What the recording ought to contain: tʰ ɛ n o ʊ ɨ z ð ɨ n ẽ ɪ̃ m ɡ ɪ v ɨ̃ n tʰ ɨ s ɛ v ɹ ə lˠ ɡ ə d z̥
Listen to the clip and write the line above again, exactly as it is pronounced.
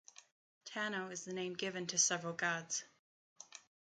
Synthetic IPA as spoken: tʰ æ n o ʊ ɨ z ð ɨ n ẽ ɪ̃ m ɡ ɪ v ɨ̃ n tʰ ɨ s ɛ v ɹ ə lˠ ɡ ɑ d z̥